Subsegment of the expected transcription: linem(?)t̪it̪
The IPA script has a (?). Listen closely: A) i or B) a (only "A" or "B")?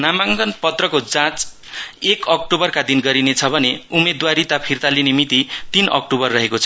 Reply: A